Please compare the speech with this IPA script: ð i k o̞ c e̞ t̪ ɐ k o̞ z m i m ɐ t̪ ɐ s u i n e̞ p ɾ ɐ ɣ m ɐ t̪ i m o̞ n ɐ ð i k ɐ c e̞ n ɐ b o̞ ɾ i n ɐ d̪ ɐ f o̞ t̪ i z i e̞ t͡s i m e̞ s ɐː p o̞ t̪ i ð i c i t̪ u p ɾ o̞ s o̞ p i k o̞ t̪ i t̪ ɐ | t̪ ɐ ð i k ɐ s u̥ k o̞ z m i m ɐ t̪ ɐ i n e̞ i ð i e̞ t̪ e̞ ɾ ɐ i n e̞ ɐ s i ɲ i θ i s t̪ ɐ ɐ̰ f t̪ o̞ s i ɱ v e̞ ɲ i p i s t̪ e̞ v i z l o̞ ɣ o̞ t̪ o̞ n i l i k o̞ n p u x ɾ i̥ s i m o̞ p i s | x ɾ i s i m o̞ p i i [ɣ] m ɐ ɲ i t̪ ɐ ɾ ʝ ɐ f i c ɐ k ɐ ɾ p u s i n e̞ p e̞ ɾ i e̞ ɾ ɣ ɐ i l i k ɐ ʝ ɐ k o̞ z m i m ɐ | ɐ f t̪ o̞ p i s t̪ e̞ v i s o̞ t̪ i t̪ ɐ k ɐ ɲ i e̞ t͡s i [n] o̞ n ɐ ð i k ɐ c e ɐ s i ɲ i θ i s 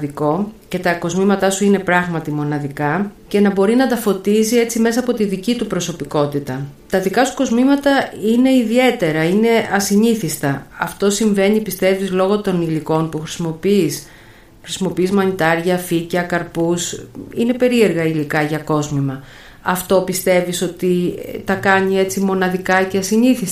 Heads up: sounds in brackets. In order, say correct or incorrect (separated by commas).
incorrect, incorrect